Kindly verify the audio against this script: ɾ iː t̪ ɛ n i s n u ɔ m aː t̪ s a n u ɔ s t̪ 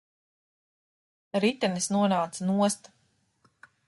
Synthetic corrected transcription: ɾ i t̪ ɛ n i s n u ɔ n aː t̪ s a n u ɔ s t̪